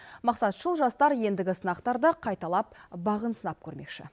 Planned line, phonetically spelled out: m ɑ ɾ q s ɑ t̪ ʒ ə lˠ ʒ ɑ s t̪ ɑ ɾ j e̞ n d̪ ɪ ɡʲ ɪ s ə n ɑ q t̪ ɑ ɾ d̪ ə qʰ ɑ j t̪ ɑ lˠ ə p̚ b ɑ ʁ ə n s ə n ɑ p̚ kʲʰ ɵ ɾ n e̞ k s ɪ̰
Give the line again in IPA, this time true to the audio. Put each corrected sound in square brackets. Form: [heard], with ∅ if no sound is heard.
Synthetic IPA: m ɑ [∅] q s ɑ t̪ ʒ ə lˠ ʒ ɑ s t̪ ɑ ɾ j e̞ n d̪ ɪ ɡʲ ɪ s ə n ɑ q t̪ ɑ ɾ d̪ ə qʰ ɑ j t̪ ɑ lˠ [ɑ] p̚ b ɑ ʁ ə n s ə n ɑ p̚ kʲʰ ɵ ɾ [m] e̞ k [ʃ] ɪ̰

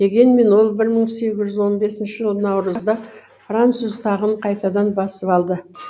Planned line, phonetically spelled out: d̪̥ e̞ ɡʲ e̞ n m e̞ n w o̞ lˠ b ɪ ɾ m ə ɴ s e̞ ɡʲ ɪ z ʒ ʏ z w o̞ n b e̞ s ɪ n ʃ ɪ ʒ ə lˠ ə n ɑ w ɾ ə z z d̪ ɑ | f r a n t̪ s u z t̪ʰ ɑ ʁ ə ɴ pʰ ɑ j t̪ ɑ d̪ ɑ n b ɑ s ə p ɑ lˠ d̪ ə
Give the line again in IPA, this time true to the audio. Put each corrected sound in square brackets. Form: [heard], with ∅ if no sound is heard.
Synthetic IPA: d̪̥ e̞ ɡʲ e̞ n m e̞ n w o̞ lˠ b ɪ ɾ m ə ɴ s e̞ ɡʲ ɪ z ʒ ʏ z w o̞ n b e̞ s ɪ n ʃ ɪ ʒ ə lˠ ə n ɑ w ɾ ə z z d̪ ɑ | f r a n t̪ s u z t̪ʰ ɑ ʁ ə ɴ [qʰ] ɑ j t̪ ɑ d̪ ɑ n b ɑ s ə p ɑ lˠ d̪ ə

